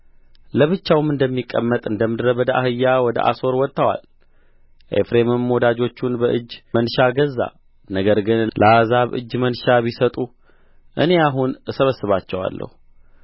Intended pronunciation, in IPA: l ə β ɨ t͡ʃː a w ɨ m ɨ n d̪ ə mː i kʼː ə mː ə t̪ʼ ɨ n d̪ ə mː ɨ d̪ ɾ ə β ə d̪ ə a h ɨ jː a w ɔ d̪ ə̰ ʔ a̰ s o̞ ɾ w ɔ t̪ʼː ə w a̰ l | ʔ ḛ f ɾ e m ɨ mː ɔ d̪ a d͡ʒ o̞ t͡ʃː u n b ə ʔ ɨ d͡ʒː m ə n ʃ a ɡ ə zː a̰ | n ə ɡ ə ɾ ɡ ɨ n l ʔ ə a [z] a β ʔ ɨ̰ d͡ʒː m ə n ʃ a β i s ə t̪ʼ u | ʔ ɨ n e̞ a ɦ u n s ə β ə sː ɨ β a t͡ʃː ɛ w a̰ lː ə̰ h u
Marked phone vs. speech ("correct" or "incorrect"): correct